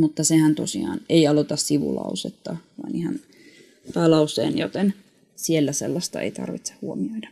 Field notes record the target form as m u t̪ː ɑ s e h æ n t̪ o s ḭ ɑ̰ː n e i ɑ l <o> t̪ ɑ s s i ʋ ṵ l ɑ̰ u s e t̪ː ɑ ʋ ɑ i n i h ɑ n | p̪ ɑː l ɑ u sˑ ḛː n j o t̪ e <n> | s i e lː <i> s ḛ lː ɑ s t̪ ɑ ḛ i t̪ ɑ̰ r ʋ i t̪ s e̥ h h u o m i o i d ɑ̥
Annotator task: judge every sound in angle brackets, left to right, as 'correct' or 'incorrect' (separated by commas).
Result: correct, correct, incorrect